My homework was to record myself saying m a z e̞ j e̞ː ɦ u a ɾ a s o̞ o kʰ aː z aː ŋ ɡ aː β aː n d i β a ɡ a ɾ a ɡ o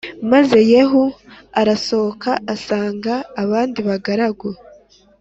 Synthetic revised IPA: m a z e̞ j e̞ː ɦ u a ɾ a s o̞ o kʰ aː s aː ŋ ɡ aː β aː n d i β a ɡ a ɾ a ɡ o

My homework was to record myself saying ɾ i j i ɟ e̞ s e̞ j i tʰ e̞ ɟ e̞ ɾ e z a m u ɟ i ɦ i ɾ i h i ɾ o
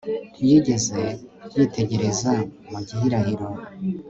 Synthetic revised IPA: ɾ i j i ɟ e̞ z e̞ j i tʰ e̞ ɟ e̞ ɾ e z a m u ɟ i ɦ i ɾ a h i ɾ o

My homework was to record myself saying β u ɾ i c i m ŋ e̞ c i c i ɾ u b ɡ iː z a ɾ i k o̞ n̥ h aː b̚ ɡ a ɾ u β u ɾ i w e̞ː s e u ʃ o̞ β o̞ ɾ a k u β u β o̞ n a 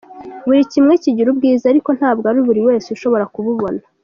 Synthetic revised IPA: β u ɾ i c i m ŋ e̞ c i ɟ i ɾ u b ɡ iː z a ɾ i k o̞ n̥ h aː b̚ ɡ a ɾ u β u ɾ i w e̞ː s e u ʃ o̞ β o̞ ɾ a k u β u β o̞ n a

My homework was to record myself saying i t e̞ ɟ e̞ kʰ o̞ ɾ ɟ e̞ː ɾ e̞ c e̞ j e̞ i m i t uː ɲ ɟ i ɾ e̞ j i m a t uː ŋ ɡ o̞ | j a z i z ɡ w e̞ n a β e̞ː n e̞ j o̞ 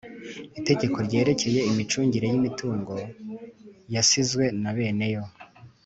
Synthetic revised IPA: i t e̞ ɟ e̞ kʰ o̞ ɾ ɟ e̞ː ɾ e̞ c e̞ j e̞ i m i t͡ʃ uː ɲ ɟ i ɾ e̞ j i m i t uː ŋ ɡ o̞ | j a s i z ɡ w e̞ n a β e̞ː n e̞ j o̞

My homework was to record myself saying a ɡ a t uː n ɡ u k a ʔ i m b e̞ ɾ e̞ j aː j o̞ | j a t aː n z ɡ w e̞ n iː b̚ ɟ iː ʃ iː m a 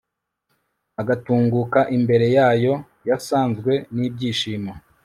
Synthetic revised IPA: a ɡ a t uː ŋ ɡ u k a ʔ i m b e̞ ɾ e̞ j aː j o̞ | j a s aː n z ɡ w e̞ n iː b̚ ɟ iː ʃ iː m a

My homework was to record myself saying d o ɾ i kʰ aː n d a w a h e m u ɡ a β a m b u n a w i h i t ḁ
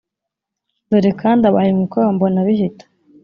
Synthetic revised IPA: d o ɾ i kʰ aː n d a β a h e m u k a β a m b o n a β i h i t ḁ

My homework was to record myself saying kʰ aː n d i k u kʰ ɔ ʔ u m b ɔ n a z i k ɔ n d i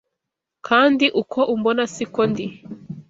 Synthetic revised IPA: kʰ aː n d i ʔ u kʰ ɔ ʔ u m b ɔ n a s i k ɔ n d i

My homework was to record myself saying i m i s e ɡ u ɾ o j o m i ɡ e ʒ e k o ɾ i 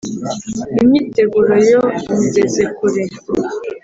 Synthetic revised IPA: i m i t e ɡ u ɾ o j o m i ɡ e z e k u ɾ e

